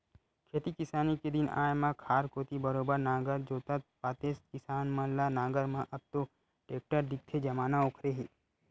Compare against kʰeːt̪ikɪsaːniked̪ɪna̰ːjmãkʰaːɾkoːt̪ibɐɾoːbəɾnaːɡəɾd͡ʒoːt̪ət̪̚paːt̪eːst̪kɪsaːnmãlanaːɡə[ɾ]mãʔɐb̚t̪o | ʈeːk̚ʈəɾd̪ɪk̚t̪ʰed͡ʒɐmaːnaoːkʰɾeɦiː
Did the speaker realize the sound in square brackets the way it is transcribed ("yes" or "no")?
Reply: yes